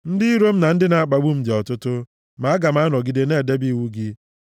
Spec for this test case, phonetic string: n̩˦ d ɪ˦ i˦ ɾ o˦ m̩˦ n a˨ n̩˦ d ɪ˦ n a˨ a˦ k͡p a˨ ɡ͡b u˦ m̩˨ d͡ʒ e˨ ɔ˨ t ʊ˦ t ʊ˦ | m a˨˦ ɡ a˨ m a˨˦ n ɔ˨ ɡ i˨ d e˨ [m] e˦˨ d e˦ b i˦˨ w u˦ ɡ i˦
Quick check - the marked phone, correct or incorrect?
incorrect